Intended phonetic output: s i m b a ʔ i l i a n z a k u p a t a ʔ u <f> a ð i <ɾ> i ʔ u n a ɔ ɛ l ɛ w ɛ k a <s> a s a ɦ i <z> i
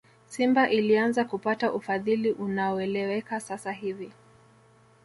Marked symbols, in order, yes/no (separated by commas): yes, no, yes, no